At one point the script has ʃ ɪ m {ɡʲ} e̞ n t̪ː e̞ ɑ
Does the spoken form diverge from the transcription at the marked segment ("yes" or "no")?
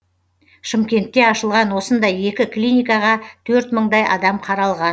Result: yes